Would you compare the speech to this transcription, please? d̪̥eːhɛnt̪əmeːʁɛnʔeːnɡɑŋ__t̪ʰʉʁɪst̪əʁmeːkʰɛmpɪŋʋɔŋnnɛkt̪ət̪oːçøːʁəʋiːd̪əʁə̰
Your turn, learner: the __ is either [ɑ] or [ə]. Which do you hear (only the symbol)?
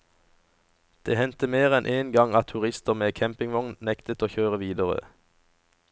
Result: ɑ